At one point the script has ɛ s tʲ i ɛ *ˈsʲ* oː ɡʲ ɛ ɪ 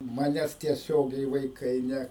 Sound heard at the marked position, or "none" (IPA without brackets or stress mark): sʲ